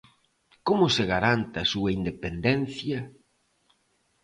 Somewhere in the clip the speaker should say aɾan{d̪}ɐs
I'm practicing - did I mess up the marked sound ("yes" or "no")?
yes